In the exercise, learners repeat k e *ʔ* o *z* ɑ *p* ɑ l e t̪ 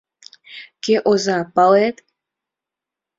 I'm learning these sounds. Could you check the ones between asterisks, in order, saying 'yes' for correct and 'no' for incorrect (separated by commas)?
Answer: yes, yes, yes